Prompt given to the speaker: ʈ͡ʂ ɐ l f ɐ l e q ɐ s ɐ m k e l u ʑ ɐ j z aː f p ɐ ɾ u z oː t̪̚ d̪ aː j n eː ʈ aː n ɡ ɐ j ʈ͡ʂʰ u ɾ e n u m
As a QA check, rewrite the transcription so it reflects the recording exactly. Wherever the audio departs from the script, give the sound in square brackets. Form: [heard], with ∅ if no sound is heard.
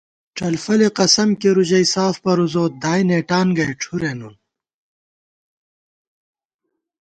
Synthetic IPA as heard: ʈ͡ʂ ɐ l f ɐ l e q ɐ s ɐ m k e [ɾ] u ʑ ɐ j [s] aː f p ɐ ɾ u z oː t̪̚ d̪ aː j n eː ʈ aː n ɡ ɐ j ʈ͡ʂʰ u ɾ e n u [n]